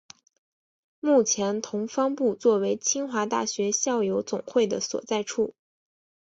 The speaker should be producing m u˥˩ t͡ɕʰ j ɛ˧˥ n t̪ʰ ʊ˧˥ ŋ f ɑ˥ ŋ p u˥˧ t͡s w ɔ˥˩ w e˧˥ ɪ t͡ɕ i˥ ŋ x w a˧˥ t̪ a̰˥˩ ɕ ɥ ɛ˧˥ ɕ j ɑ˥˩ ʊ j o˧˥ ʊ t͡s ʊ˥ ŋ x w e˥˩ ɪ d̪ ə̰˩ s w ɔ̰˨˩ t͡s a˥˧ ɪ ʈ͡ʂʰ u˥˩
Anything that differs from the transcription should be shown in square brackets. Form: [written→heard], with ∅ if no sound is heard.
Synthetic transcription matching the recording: m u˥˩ t͡ɕʰ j ɛ˧˥ n t̪ʰ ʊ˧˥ ŋ f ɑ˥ ŋ p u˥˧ t͡s w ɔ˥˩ w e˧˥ ɪ [t͡ɕ→t͡ɕʰ] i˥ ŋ x w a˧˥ t̪ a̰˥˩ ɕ ɥ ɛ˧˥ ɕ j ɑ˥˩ ʊ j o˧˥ ʊ t͡s [ʊ˥→ʊ˨˩] ŋ x w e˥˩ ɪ d̪ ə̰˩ s w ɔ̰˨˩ t͡s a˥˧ ɪ ʈ͡ʂʰ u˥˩

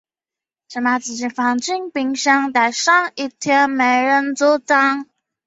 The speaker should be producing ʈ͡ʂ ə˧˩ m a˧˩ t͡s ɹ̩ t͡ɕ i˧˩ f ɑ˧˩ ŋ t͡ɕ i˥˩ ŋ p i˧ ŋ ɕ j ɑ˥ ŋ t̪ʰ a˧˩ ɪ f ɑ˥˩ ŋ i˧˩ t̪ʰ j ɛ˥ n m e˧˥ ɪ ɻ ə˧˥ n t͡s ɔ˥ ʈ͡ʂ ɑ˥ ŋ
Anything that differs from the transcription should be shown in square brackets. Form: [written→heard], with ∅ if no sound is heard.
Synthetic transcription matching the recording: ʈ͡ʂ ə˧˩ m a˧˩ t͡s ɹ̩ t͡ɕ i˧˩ f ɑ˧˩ ŋ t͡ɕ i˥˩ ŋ p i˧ ŋ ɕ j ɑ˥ ŋ [t̪ʰ→t̪] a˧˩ ɪ [f→ʂ] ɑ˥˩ ŋ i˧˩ t̪ʰ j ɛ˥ n m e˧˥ ɪ ɻ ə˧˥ n t͡s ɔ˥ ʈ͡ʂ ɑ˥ ŋ

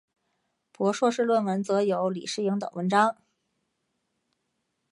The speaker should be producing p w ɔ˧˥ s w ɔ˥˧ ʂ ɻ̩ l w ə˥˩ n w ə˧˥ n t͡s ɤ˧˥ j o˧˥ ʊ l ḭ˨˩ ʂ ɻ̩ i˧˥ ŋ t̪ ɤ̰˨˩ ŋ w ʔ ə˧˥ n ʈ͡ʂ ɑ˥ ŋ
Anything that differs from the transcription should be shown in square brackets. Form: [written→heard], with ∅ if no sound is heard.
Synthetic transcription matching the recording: p w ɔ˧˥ [s→ʂ] w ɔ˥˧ ʂ ɻ̩ l w ə˥˩ n w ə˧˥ n t͡s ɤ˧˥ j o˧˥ ʊ l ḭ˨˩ ʂ ɻ̩ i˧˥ ŋ t̪ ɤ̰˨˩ ŋ w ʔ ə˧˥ n ʈ͡ʂ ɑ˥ ŋ

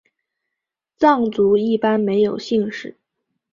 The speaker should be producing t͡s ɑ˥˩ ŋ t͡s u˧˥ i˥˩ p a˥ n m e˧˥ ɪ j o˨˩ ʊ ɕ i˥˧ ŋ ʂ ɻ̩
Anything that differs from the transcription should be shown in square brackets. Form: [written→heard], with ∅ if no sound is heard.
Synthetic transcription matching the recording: t͡s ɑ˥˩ ŋ t͡s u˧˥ i˥˩ p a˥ n m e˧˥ ɪ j o˨˩ ʊ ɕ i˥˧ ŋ ʂ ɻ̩

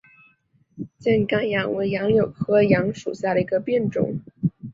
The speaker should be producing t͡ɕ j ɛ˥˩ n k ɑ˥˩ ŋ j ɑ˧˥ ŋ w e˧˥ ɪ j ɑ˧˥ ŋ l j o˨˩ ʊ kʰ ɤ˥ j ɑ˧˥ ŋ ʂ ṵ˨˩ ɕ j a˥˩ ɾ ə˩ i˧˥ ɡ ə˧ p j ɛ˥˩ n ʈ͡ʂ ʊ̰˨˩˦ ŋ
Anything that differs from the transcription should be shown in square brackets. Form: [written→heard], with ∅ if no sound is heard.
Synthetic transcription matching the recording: t͡ɕ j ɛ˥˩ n k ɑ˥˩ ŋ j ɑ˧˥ ŋ w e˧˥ ɪ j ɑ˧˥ ŋ l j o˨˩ ʊ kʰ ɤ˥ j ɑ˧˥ ŋ ʂ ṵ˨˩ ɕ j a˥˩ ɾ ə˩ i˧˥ ɡ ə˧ p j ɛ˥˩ n ʈ͡ʂ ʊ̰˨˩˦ ŋ

